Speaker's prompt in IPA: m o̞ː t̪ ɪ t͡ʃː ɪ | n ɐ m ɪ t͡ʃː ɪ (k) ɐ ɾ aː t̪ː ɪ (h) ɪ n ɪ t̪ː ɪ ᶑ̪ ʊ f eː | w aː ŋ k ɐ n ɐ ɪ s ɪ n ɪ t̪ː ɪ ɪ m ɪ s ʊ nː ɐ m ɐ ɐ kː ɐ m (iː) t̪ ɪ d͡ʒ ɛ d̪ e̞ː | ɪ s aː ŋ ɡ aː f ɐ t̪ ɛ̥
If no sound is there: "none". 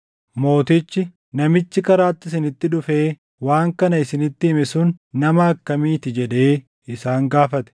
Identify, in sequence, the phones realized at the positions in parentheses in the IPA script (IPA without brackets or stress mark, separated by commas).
k, s, iː